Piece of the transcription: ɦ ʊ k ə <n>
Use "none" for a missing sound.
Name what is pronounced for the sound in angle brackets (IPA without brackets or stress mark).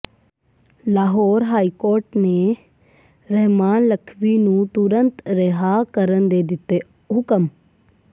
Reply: m